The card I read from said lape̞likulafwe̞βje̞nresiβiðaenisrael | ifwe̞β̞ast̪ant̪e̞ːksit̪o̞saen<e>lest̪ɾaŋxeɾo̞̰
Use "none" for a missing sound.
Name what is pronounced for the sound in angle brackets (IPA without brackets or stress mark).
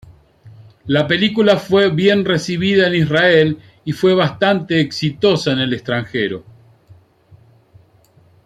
e